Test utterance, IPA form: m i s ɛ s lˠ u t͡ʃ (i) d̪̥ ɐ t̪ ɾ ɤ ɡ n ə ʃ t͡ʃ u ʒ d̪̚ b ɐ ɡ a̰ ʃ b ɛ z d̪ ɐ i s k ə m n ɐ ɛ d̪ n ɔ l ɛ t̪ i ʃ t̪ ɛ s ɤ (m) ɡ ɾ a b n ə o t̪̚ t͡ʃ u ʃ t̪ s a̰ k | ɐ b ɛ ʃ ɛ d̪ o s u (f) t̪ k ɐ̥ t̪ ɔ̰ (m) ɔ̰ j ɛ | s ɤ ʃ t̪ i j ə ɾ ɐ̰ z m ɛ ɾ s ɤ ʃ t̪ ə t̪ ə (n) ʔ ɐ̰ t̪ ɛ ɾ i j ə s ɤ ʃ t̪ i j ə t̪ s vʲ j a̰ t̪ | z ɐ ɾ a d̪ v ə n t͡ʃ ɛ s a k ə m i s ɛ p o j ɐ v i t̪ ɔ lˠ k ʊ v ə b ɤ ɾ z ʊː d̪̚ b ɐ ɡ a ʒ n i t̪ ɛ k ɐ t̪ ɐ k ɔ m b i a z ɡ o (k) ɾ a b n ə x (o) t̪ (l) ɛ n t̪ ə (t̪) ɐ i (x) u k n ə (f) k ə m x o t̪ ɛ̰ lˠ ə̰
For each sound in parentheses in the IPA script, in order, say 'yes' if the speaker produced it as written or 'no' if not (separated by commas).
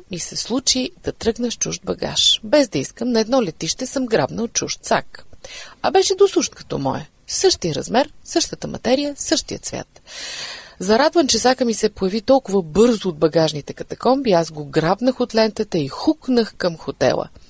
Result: yes, yes, no, yes, no, no, yes, yes, yes, yes, no